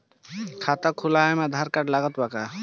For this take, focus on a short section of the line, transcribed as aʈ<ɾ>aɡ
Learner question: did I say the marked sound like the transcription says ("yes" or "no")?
no